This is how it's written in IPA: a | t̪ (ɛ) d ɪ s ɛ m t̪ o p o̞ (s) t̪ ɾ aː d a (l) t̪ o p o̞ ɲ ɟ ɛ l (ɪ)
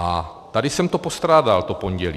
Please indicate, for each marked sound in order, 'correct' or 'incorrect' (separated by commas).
incorrect, correct, correct, incorrect